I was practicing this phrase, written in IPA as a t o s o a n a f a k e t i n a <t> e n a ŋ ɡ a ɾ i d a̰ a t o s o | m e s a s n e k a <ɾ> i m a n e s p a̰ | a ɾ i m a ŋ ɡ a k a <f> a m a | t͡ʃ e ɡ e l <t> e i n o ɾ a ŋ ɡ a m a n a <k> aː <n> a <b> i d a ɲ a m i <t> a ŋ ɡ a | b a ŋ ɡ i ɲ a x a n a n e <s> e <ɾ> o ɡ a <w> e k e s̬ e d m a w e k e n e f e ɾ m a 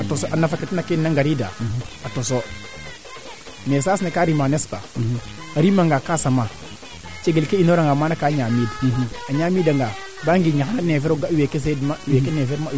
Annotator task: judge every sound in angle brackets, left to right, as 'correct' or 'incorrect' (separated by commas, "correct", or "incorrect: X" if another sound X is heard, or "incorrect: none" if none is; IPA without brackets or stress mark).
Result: incorrect: k, correct, incorrect: s, incorrect: k, correct, incorrect: ɲ, incorrect: m, incorrect: d, incorrect: f, correct, correct